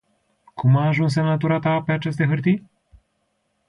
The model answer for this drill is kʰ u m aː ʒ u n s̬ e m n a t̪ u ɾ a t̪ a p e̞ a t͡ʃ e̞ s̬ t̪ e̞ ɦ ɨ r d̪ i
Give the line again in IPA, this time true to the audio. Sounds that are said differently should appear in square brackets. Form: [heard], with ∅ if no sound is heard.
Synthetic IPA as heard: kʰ u m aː ʒ u n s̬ e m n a t̪ u ɾ a t̪ a p e̞ a t͡ʃ e̞ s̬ t̪ e̞ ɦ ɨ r [t̪] i

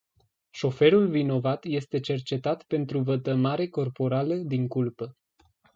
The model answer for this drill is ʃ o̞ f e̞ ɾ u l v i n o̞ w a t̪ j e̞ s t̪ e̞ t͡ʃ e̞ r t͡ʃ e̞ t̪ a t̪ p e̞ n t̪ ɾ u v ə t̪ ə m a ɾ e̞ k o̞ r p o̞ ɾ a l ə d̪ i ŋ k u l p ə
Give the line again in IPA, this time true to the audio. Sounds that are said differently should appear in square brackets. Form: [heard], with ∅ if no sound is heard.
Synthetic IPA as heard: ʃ o̞ f e̞ ɾ u l v i n o̞ [v] a t̪ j e̞ s t̪ e̞ t͡ʃ e̞ r t͡ʃ e̞ t̪ a t̪ p e̞ n t̪ ɾ u v ə t̪ ə m a ɾ e̞ k o̞ r p o̞ ɾ a l ə d̪ i ŋ k u l p ə

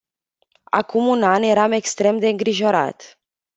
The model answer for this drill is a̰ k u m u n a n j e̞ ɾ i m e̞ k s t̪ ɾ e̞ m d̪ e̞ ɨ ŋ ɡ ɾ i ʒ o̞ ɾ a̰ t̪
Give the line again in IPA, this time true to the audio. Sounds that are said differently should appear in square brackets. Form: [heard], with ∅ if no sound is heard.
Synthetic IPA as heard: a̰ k u m u n a n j e̞ ɾ [a] m e̞ k s t̪ ɾ e̞ m d̪ e̞ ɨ ŋ ɡ ɾ i ʒ o̞ ɾ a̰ t̪

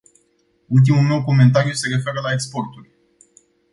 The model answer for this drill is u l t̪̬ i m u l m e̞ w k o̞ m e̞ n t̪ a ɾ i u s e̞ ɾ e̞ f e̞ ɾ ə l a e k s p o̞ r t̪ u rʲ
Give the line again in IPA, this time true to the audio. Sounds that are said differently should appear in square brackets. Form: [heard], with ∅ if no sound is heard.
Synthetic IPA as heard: u l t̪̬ i m u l m e̞ w k o̞ m e̞ n t̪ a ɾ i u s e̞ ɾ e̞ f e̞ ɾ ə l a e k s p o̞ r t̪ u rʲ

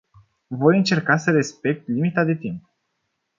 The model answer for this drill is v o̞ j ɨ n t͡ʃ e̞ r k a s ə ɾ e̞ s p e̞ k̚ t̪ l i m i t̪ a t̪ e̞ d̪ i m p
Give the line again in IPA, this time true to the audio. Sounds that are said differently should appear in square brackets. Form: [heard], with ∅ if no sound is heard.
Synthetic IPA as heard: v o̞ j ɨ n t͡ʃ e̞ r k a s ə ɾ e̞ s p e̞ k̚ t̪ l i m i t̪ a [d̪] e̞ [t̪] i m p

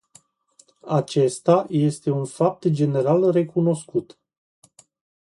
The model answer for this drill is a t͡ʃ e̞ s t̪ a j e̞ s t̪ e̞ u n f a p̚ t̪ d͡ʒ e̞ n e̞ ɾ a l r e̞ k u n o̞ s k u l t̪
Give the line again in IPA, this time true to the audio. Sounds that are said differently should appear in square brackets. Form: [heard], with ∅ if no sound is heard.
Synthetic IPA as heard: a t͡ʃ e̞ s t̪ a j e̞ s t̪ e̞ u n f a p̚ t̪ d͡ʒ e̞ n e̞ ɾ a l r e̞ k u n o̞ s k u [∅] t̪

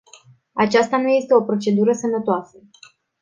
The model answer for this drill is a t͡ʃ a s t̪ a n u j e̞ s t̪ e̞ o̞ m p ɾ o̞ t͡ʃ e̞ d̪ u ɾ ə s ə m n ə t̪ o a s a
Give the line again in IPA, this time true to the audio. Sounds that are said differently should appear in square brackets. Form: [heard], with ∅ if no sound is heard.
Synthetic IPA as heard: a t͡ʃ a s t̪ a n u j e̞ s t̪ e̞ o̞ [∅] p ɾ o̞ t͡ʃ e̞ d̪ u ɾ ə s ə m n ə t̪ o a s [ə]

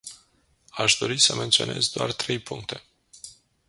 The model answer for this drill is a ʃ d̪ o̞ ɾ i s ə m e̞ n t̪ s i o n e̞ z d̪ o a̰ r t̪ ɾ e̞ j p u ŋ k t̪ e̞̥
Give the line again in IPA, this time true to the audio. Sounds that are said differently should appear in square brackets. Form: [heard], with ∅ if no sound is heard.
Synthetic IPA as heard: a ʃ d̪ o̞ ɾ i s ə m e̞ n t̪ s i o n e̞ z d̪ o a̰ r t̪ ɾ e̞ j p u ŋ k t̪ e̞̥

